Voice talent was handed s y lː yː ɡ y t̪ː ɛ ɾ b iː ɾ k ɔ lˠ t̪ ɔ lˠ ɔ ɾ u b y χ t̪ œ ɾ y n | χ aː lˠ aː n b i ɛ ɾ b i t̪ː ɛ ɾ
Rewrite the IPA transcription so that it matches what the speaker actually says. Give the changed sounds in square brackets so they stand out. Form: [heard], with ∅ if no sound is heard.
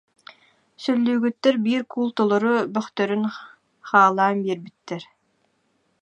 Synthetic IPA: s [œ] lː yː ɡ y t̪ː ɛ ɾ b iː ɾ k [u] lˠ t̪ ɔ lˠ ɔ ɾ u b [œ] χ t̪ œ ɾ y n | χ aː lˠ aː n b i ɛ ɾ b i t̪ː ɛ ɾ